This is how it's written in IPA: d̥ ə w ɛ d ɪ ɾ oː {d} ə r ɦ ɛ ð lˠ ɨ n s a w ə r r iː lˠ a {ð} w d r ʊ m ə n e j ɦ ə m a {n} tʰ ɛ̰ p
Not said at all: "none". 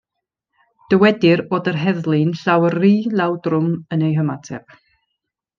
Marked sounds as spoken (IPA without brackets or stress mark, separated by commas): d, none, none